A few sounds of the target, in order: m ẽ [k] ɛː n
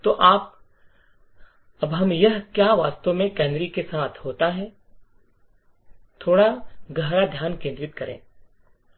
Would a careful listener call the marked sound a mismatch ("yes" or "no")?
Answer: no